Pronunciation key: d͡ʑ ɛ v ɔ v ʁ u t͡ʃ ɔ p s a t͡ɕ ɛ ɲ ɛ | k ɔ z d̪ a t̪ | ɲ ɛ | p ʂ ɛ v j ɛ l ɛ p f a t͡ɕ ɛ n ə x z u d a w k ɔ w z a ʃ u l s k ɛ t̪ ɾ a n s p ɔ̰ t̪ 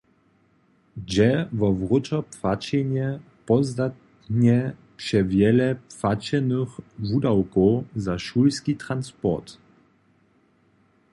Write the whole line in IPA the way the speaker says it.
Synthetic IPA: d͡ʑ ɛ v ɔ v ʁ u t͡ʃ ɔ p f a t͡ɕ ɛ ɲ ɛ | p ɔ z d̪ a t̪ | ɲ ɛ | p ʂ ɛ v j ɛ l ɛ p f a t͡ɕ ɛ n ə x v u d a w k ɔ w z a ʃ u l s k i t̪ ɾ a n s p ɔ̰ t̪